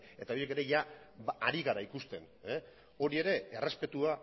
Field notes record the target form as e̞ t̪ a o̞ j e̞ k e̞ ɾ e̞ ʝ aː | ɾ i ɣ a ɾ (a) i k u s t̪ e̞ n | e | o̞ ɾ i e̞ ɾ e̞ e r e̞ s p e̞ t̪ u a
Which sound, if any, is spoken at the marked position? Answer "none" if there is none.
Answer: a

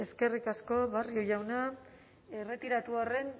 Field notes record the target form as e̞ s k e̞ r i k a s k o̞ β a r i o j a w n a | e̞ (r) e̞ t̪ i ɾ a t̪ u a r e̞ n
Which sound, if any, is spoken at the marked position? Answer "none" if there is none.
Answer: r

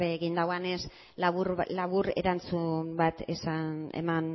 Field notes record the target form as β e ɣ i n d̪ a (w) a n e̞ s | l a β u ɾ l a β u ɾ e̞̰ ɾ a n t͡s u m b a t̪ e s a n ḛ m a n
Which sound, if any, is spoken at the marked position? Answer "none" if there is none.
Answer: w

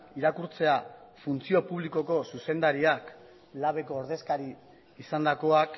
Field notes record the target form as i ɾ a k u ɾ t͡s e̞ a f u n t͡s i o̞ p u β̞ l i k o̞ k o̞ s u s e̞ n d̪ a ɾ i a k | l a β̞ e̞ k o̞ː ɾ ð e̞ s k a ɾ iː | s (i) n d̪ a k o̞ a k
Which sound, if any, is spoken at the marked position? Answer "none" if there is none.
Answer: a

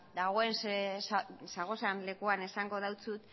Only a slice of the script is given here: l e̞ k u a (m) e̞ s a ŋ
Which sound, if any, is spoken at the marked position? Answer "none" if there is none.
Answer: n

